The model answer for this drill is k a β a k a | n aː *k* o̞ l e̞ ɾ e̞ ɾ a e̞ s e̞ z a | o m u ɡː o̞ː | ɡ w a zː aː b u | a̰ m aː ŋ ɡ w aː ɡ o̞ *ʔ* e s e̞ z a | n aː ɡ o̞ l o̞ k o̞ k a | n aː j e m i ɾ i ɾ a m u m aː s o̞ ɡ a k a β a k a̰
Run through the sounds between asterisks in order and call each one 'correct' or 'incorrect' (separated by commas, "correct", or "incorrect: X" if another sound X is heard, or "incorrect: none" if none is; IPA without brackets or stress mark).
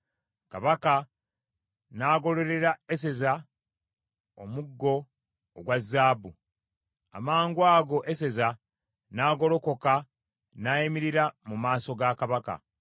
incorrect: ɡ, correct